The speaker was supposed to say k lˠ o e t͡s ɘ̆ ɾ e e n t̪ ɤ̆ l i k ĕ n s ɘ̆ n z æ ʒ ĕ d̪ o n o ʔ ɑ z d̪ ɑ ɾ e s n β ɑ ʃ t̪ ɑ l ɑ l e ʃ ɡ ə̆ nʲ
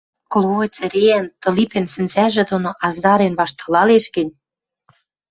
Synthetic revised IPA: k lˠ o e t͡s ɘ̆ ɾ e æ n t̪ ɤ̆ l i p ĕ n s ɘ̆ n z æ ʒ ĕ d̪ o n o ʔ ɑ z d̪ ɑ ɾ e n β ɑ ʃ t̪ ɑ l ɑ l e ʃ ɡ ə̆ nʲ